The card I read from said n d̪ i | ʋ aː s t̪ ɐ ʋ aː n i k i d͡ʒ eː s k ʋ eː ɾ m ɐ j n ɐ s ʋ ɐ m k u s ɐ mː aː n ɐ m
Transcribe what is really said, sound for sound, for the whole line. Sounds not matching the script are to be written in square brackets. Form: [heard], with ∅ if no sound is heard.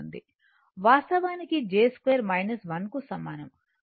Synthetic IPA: n d̪ i | ʋ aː s t̪ ɐ ʋ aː n i k i d͡ʒ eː s k ʋ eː ɾ m ɐ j n ɐ s ʋ ɐ [n] k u s ɐ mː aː n ɐ m